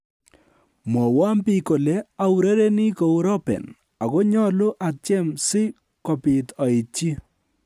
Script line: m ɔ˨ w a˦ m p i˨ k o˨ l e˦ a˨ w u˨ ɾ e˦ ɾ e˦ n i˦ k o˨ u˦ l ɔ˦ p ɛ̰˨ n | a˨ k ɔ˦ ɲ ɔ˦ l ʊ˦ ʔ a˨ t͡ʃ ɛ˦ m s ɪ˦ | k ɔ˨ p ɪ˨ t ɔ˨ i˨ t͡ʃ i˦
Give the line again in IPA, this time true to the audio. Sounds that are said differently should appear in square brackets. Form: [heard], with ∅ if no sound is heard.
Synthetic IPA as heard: m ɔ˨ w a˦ m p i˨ k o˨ l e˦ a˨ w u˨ ɾ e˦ ɾ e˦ n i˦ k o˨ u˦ [ɾ] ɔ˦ p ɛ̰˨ n | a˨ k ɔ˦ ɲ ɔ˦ l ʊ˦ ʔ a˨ t͡ʃ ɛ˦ m s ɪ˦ | k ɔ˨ p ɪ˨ t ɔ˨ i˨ t͡ʃ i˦